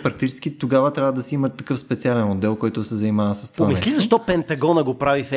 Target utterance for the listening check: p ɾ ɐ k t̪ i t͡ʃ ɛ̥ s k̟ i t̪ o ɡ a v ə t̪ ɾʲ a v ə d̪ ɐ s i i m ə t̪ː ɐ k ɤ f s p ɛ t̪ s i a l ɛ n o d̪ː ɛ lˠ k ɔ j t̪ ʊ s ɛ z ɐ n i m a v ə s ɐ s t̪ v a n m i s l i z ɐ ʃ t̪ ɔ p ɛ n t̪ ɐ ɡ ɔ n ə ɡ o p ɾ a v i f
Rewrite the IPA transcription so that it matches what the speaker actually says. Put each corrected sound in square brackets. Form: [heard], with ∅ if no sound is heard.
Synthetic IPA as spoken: p ɾ ɐ k t̪ i t͡ʃ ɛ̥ s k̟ i t̪ o ɡ a v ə t̪ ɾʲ a v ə d̪ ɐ s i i m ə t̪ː ɐ k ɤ f s p ɛ t̪ s i a l ɛ n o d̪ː ɛ lˠ k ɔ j t̪ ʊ s ɛ z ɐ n i m a v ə s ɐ s t̪ v a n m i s l i z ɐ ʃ t̪ ɔ p ɛ n t̪ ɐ ɡ ɔ n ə ɡ o p ɾ a v i f